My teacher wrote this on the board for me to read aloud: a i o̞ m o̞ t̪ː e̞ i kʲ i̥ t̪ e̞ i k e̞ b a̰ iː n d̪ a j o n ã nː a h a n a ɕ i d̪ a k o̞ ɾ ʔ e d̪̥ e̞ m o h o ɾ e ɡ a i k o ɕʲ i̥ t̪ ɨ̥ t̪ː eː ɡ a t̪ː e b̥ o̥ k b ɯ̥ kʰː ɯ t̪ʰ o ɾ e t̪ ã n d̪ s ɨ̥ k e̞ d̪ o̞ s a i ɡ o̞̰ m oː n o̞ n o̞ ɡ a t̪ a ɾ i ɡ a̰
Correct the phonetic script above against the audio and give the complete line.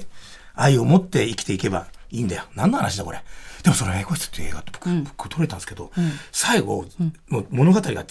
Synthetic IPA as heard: a i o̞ m o̞ t̪ː e̞ i kʲ i̥ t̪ e̞ i k e̞ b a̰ iː n d̪ a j o n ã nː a h a n a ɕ i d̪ a k o̞ ɾ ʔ e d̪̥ e̞ m o s o ɾ e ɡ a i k o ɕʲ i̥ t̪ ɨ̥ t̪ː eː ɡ a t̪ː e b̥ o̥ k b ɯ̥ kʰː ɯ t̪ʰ o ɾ e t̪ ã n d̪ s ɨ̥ k e̞ d̪ o̞ s a i ɡ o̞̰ m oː m o̞ n o̞ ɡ a t̪ a ɾ i ɡ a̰